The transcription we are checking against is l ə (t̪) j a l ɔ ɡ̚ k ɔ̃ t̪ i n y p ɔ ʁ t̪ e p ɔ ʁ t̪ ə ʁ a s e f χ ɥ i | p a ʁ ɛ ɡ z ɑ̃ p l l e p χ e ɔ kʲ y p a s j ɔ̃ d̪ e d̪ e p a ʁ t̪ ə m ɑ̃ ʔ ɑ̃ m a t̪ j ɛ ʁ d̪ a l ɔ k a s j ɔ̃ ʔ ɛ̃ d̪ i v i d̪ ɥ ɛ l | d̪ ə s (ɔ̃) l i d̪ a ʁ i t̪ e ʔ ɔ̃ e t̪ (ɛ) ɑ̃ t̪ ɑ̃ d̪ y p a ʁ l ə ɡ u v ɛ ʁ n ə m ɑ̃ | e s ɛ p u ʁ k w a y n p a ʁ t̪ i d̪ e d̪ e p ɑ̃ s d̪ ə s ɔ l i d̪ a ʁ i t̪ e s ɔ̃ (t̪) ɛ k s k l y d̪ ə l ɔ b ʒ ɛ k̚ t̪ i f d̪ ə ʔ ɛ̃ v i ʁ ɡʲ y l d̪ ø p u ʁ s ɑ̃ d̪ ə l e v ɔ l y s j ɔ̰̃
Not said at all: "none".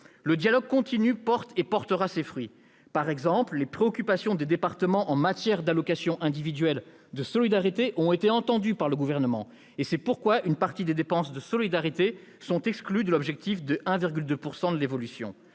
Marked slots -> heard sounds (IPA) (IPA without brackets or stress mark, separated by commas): d̪, ɔ, e, t̪